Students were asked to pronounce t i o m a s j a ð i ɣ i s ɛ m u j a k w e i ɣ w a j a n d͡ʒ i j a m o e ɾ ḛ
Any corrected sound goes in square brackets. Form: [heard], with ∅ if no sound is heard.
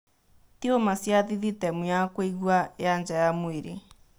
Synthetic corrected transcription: t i o m a s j a ð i [ð] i [t] ɛ m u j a k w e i ɣ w a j a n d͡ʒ [a] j a m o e ɾ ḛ